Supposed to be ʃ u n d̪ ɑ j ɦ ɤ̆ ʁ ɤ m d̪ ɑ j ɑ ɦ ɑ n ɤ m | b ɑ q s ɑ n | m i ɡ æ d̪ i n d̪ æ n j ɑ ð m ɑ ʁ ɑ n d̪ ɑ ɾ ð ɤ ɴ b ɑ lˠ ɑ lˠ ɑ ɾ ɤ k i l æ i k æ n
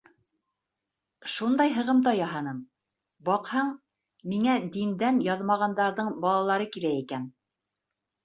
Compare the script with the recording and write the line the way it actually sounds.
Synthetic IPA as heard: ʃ u n d̪ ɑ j ɦ ɤ̆ ʁ ɤ m d̪ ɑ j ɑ ɦ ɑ n ɤ m | b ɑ q h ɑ ɴ | m i ŋ æ d̪ i n d̪ æ n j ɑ ð m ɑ ʁ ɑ n d̪ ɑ ɾ ð ɤ ɴ b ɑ lˠ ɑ lˠ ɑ ɾ ɤ k i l æ i k æ n